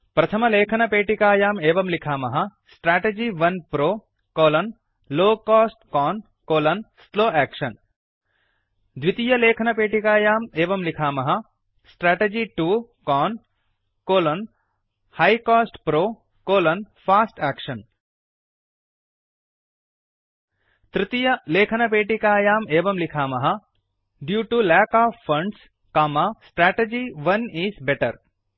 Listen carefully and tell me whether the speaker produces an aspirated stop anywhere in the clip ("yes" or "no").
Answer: yes